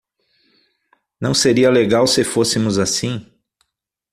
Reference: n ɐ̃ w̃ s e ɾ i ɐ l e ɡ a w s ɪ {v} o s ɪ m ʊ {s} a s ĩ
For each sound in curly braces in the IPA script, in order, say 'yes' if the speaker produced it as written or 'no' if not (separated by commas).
no, no